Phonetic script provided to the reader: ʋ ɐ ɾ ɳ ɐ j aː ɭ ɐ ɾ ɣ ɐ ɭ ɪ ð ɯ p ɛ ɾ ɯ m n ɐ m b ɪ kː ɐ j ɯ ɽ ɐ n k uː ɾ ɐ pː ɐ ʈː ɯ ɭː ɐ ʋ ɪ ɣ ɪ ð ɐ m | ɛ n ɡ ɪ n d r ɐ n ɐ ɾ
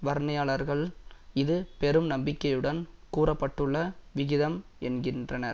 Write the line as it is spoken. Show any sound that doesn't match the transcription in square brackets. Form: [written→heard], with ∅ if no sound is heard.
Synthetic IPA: ʋ ɐ ɾ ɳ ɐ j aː ɭ ɐ ɾ ɣ ɐ ɭ ɪ ð ɯ p ɛ ɾ ɯ m n ɐ m b ɪ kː ɐ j ɯ ɽ ɐ n k uː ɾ ɐ pː ɐ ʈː ɯ ɭː ɐ ʋ ɪ ɣ ɪ ð ɐ m | ɛ n ɡ ɪ n d r ɐ n ɐ ɾ